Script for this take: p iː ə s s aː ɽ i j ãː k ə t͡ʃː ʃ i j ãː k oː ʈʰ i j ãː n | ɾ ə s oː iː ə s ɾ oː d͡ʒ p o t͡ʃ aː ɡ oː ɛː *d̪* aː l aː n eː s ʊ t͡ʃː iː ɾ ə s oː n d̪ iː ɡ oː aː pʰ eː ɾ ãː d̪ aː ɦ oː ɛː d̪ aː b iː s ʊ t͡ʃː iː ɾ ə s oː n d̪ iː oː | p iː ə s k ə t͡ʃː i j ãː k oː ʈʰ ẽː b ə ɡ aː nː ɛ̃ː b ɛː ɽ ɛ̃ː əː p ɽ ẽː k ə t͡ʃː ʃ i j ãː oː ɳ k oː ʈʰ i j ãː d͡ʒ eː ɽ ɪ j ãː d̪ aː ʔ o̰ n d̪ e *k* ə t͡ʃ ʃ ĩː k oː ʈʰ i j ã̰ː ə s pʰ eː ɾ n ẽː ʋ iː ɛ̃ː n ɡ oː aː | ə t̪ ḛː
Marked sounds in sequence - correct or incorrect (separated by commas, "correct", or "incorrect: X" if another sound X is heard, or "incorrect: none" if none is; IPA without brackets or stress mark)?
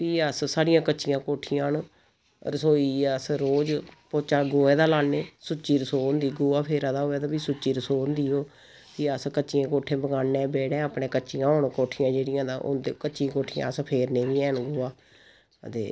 correct, correct